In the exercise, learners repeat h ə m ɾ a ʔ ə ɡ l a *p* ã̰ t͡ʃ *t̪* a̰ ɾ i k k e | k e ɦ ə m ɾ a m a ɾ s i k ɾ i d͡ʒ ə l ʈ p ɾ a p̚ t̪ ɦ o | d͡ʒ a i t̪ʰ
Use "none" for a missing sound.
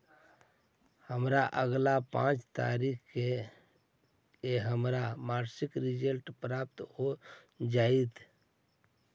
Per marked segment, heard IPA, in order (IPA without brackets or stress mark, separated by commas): p, t̪